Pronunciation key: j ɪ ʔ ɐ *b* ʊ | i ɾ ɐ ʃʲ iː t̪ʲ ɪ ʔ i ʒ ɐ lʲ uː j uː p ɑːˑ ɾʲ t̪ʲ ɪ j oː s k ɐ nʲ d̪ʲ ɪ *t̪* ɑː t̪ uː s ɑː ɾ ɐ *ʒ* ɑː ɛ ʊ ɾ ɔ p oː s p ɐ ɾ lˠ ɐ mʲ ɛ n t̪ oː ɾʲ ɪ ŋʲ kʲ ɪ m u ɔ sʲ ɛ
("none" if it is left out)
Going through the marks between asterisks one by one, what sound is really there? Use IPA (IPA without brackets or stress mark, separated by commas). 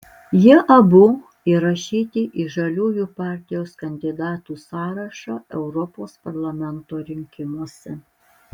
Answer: b, d̪, ʃ